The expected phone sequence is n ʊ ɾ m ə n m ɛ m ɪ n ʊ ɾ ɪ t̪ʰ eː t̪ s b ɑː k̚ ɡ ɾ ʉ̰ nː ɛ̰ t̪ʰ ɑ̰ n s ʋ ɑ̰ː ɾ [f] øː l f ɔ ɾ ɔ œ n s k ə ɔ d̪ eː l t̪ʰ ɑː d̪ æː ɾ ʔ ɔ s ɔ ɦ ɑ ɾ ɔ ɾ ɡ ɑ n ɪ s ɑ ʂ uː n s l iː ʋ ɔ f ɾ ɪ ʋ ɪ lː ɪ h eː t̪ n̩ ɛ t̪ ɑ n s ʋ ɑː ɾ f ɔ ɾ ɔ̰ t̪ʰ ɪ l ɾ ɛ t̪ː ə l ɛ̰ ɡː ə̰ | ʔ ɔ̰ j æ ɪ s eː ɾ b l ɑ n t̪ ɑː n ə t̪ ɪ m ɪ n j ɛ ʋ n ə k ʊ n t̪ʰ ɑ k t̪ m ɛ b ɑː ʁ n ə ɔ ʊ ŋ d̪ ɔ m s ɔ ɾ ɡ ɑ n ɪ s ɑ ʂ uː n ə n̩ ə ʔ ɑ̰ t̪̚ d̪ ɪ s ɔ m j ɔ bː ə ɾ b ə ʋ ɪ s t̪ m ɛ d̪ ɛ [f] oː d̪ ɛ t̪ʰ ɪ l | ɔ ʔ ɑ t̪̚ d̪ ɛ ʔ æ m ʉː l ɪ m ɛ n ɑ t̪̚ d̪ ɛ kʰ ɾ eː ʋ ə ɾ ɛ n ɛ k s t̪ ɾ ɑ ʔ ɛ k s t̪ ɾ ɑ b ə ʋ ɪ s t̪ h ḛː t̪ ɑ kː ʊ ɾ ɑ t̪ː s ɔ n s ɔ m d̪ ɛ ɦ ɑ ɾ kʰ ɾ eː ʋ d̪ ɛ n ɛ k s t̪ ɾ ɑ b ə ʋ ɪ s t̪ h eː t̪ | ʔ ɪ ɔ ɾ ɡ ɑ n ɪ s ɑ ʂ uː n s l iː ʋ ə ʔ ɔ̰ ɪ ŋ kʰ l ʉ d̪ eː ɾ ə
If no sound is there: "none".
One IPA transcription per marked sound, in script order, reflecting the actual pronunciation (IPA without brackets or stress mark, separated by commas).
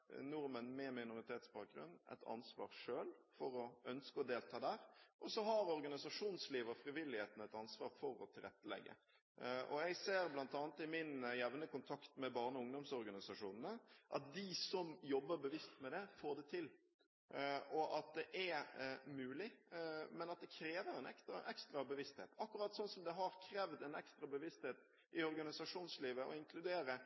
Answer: ʂ, f